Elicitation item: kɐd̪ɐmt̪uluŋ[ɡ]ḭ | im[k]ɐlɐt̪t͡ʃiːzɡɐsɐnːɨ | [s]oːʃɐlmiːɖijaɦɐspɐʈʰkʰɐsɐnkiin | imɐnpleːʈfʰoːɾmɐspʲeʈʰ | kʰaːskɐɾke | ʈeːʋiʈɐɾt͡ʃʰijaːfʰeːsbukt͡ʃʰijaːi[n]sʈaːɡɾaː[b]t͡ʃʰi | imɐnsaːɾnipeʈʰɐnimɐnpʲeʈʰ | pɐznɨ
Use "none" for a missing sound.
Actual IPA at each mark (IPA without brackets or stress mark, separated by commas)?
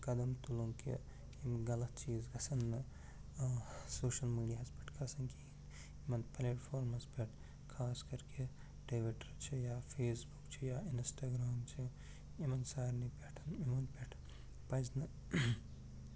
k, ɡ, s, n, m